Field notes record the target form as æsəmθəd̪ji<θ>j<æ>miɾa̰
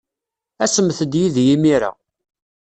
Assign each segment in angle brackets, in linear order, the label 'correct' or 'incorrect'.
incorrect: ð, incorrect: i

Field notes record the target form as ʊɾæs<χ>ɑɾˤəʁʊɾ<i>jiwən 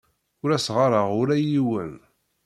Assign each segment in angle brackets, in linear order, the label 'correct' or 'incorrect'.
incorrect: ʁ, incorrect: æ

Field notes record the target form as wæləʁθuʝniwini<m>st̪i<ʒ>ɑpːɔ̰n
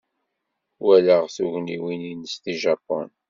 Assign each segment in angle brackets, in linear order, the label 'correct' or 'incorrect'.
incorrect: n, correct

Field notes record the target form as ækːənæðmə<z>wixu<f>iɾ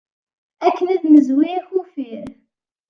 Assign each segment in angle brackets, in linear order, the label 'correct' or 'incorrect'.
correct, correct

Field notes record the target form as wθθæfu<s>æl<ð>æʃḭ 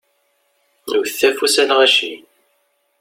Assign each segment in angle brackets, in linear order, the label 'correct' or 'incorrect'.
correct, incorrect: ʁ

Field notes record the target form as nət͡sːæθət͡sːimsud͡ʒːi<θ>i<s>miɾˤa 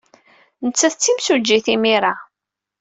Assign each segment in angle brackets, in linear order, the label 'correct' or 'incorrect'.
correct, incorrect: none

